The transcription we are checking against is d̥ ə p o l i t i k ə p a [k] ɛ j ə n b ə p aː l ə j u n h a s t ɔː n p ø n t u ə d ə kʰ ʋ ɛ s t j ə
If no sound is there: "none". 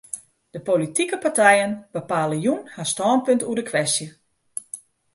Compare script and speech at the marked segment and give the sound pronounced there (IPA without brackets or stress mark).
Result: t